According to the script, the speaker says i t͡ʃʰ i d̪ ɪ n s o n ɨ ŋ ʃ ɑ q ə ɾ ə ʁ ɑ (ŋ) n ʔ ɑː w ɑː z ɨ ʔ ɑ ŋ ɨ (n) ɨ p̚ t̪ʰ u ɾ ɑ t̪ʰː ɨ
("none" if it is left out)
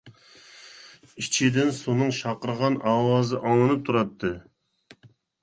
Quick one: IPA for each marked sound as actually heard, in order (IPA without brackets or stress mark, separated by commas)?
none, n